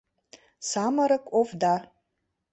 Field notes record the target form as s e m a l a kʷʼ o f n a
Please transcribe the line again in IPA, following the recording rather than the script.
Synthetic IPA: s a m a ɾ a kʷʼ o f d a